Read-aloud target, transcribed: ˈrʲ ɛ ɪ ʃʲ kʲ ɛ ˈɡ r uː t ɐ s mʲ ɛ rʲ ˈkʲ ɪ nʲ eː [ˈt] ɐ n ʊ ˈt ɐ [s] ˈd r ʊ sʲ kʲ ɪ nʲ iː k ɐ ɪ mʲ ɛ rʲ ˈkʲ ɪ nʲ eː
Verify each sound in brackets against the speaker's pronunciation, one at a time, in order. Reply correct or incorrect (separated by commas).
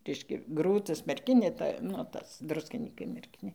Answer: correct, correct